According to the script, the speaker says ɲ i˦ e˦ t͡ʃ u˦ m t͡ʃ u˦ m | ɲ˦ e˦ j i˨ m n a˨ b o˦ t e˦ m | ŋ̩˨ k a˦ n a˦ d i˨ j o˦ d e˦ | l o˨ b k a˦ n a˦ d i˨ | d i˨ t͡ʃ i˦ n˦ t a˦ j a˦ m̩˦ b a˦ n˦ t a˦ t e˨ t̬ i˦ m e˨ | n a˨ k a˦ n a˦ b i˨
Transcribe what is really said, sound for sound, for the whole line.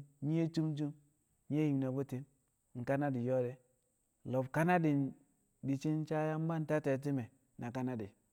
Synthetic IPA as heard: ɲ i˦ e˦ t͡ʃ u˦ m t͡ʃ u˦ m | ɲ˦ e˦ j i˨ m n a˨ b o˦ t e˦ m | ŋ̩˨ k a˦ n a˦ d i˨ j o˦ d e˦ | l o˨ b k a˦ n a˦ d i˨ | d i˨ t͡ʃ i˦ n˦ t͡ʃ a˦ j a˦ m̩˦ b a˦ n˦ t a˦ t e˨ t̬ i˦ m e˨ | n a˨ k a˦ n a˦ d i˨